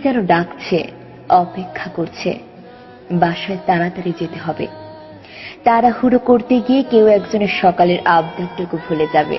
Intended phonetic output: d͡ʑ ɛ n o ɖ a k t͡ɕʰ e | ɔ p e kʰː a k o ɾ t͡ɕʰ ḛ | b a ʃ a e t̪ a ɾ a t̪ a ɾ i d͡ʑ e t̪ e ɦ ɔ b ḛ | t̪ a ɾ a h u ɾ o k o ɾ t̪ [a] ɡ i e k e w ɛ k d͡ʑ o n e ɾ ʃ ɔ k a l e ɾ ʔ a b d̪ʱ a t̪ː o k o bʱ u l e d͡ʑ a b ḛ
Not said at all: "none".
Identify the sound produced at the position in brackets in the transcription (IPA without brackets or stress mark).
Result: e